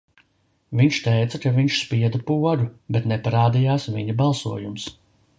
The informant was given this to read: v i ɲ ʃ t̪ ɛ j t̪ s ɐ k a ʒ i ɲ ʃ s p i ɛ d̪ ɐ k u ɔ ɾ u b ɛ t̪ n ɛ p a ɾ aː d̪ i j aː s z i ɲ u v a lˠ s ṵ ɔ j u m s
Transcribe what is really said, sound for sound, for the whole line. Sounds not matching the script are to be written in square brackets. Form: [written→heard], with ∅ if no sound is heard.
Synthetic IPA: v i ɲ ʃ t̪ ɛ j t̪ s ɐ k a [ʒ→v] i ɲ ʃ s p i ɛ d̪ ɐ [k→p] u ɔ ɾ u b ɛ t̪ n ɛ p a ɾ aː d̪ i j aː s [z→v] i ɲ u [v→b] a lˠ s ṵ ɔ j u m s